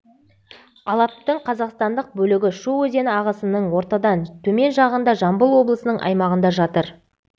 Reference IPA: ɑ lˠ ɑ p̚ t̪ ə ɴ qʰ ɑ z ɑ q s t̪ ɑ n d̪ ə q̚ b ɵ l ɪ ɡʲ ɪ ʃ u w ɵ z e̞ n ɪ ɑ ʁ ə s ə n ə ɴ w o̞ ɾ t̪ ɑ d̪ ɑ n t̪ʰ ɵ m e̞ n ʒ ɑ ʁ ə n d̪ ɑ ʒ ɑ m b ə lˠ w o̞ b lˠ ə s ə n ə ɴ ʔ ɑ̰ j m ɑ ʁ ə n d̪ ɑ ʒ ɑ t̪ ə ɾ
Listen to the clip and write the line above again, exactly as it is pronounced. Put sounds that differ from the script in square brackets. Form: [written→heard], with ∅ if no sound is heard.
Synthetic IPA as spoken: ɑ lˠ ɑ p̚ t̪ ə ɴ qʰ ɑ z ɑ q s t̪ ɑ n d̪ ə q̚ b ɵ l ɪ ɡʲ ɪ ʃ u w ɵ z e̞ n ɪ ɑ ʁ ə s ə n ə ɴ w o̞ ɾ t̪ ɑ d̪ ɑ n t̪ʰ ɵ m e̞ n ʒ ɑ ʁ ə n d̪ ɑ ʒ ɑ m b ə lˠ w o̞ b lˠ ə s ə n ə ɴ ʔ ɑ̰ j m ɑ ʁ ə n d̪ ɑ ʒ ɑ t̪ ə ɾ